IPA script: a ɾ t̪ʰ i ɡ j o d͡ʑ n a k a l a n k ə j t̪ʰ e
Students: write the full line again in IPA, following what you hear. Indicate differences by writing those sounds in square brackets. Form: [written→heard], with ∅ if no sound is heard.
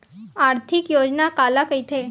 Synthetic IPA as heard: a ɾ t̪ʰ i [ɡ→k] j o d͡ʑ n a k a l a [n→∅] k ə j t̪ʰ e